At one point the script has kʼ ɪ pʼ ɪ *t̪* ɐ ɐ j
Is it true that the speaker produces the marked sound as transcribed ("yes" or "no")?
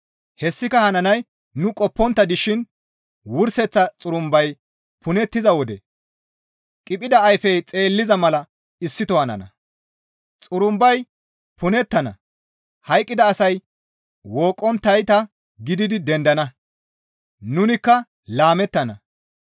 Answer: no